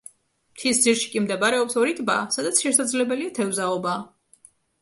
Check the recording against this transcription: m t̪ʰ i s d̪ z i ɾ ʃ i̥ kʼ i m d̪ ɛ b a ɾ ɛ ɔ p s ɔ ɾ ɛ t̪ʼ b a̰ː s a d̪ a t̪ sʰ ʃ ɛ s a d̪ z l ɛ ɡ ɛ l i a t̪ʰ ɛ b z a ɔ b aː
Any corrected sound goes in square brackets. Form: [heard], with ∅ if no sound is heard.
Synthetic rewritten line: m t̪ʰ i s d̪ z i ɾ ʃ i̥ kʼ i m d̪ ɛ b a ɾ ɛ ɔ p s ɔ ɾ [i] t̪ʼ b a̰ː s a d̪ a t̪ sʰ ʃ ɛ s a d̪ z l ɛ [b] ɛ l i a t̪ʰ ɛ [v] z a ɔ b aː